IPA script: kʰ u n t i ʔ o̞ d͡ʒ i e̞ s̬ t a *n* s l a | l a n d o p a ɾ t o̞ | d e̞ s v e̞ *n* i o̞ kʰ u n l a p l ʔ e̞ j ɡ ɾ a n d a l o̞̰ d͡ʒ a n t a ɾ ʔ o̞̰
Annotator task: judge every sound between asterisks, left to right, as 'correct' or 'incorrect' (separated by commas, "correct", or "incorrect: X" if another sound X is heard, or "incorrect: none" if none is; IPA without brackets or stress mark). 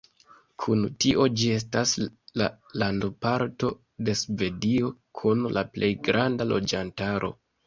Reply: incorrect: none, incorrect: d